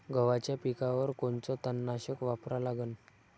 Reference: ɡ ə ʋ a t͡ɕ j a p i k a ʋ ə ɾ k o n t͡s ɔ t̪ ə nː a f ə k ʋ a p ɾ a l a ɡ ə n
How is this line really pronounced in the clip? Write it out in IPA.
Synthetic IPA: ɡ ə ʋ a t͡ɕ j a p i k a ʋ ə ɾ k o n t͡s ɔ t̪ ə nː a ɕ ə k ʋ a p ɾ a l a ɡ ə n